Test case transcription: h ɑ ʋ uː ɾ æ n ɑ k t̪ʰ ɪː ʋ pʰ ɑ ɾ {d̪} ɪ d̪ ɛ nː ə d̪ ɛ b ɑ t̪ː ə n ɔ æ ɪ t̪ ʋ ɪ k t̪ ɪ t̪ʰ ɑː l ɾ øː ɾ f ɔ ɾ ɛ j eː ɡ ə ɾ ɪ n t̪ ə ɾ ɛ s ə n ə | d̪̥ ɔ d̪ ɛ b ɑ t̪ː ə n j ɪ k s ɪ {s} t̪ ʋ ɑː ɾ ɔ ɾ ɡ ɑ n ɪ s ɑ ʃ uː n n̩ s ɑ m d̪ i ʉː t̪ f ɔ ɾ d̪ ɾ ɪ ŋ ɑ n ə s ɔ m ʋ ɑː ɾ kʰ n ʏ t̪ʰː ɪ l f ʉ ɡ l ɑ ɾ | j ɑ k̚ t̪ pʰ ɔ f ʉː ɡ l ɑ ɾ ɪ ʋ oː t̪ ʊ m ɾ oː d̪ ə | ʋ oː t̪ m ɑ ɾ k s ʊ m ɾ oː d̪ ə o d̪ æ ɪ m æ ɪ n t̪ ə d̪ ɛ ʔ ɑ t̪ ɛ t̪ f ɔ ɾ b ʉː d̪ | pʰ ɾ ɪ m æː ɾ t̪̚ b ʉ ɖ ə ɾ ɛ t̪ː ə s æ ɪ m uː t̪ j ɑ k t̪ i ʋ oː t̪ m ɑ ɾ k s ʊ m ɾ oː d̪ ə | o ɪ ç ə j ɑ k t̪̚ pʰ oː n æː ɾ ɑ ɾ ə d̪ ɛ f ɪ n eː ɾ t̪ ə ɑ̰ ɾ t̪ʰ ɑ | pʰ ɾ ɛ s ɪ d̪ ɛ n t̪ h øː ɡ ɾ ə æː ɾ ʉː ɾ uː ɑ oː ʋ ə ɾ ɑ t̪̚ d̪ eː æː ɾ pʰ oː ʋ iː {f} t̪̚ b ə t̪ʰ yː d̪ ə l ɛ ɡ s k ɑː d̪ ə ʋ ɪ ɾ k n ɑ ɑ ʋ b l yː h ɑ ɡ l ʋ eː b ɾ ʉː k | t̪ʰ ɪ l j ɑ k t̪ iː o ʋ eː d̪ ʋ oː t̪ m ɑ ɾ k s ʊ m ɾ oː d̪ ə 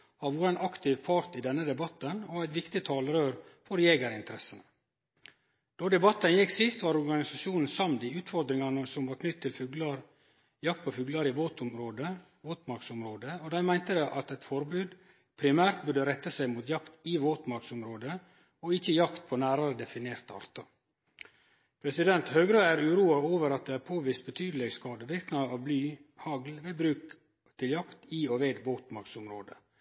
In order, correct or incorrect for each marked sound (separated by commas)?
incorrect, correct, incorrect